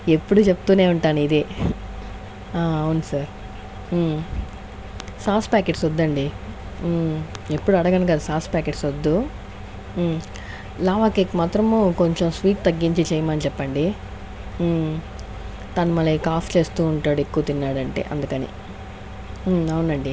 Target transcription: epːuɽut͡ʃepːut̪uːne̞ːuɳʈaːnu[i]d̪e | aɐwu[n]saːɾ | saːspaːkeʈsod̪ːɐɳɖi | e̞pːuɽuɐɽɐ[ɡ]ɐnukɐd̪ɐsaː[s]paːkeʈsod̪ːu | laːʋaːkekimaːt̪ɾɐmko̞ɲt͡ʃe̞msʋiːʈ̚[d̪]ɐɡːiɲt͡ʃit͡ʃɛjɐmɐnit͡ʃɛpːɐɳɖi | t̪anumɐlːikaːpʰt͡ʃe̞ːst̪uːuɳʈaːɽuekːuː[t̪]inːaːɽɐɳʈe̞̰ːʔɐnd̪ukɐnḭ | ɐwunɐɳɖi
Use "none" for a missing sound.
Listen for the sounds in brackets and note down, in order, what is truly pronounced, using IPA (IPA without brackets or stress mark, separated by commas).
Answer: i, n, ɡ, s, t̪, t̪